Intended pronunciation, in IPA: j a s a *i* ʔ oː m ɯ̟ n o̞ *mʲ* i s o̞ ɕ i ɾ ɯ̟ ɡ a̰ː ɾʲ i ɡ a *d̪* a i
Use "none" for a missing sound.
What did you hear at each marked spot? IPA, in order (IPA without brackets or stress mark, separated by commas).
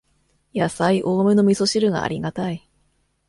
i, mʲ, t̪